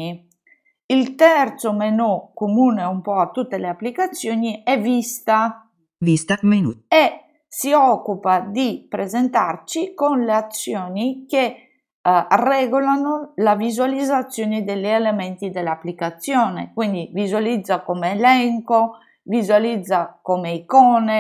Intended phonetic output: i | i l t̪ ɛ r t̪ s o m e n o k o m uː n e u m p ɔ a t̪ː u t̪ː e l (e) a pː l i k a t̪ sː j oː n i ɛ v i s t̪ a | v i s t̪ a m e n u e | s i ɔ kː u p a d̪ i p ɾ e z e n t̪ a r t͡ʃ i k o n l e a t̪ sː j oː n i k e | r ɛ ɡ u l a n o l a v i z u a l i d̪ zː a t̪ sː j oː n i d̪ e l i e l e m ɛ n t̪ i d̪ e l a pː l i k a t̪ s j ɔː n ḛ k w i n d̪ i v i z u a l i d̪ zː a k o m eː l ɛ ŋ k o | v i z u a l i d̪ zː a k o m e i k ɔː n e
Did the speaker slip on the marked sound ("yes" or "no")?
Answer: no